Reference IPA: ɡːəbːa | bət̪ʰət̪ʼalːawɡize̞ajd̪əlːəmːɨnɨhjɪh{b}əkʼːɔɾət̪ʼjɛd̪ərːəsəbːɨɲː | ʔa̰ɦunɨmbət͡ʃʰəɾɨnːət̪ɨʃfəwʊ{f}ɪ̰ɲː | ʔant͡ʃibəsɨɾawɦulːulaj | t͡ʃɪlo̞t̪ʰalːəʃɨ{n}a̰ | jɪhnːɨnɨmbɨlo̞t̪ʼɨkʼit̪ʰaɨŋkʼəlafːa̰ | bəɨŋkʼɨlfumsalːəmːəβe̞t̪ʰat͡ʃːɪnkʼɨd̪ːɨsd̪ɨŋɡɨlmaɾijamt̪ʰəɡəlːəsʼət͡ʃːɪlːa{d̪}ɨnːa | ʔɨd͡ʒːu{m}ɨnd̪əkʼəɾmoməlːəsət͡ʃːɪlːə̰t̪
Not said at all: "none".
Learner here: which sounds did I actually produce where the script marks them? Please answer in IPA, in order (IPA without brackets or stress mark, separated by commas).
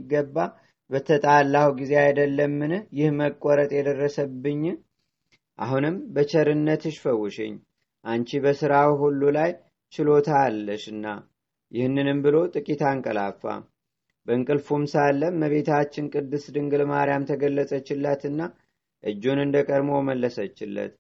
m, ʃ, nː, t̪, n